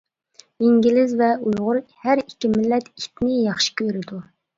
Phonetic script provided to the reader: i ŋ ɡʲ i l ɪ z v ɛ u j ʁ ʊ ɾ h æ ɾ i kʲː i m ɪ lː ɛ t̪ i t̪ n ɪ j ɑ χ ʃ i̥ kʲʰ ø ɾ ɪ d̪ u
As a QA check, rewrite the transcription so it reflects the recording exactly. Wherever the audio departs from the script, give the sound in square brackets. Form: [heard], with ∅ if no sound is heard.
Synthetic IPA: i ŋ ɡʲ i l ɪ z v ɛ u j ʁ ʊ ɾ h æ ɾ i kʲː i m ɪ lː ɛ t̪ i t̪ n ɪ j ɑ χ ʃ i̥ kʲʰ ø ɾ ɪ d̪ u

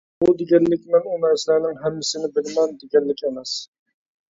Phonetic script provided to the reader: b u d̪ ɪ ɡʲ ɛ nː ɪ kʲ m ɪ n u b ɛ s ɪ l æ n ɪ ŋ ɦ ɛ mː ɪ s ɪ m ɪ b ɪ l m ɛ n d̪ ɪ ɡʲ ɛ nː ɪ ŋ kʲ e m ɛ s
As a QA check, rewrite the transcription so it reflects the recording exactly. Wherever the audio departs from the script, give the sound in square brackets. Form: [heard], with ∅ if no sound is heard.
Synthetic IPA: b u d̪ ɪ ɡʲ ɛ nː ɪ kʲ m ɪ n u [m] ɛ s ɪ l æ n ɪ ŋ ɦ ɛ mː ɪ s ɪ [n] ɪ b ɪ l m ɛ n d̪ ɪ ɡʲ ɛ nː ɪ [∅] kʲ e m ɛ s

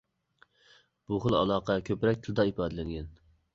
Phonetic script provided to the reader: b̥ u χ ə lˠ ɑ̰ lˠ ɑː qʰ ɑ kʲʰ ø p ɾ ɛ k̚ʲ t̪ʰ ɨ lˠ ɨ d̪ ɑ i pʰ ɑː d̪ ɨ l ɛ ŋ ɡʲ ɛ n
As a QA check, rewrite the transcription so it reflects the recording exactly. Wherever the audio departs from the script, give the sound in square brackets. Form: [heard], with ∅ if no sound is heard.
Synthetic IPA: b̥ u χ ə lˠ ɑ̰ lˠ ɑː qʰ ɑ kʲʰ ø p ɾ ɛ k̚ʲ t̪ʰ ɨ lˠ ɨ d̪ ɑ i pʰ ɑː d̪ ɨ l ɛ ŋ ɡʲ ɛ n

